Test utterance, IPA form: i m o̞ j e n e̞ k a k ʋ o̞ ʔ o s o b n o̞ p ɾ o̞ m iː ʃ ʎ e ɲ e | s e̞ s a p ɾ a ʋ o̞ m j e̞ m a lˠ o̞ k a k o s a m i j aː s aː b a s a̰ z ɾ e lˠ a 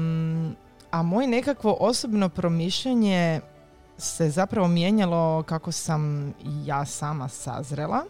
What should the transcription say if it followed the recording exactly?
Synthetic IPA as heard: a m o̞ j e n e̞ k a k ʋ o̞ ʔ o s o b n o̞ p ɾ o̞ m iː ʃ ʎ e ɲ e | s e̞ z a p ɾ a ʋ o̞ m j e̞ ɲ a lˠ o̞ k a k o s a m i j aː s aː m a s a̰ z ɾ e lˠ a